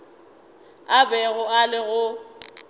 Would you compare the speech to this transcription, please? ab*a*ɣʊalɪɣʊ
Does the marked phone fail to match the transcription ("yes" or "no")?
yes